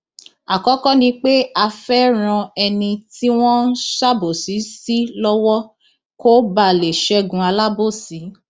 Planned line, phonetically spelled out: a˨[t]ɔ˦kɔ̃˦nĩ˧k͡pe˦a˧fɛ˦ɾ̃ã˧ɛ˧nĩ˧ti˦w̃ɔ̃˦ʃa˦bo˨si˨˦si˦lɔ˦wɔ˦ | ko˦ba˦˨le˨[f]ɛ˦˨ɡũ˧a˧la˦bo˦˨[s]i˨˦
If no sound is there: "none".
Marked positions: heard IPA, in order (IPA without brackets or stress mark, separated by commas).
k, ʃ, s